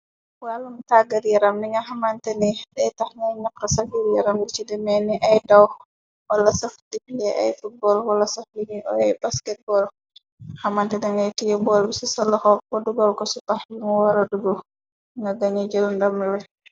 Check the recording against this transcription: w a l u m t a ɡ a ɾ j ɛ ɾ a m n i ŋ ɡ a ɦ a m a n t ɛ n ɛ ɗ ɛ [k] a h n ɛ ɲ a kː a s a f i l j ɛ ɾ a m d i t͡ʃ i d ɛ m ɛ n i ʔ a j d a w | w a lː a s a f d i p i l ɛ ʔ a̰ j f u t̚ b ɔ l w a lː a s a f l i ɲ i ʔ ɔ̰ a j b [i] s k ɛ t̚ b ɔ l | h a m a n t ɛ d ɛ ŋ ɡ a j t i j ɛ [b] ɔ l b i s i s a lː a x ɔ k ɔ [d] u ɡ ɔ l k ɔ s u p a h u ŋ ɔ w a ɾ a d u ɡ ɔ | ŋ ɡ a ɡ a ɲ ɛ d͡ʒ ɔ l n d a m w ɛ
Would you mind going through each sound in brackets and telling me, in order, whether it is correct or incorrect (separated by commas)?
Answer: incorrect, incorrect, correct, correct